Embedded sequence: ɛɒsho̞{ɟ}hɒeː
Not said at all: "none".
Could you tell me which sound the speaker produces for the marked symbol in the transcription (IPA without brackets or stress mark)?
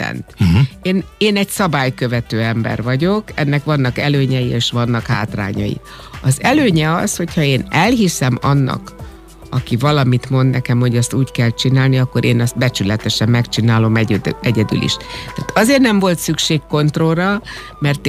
c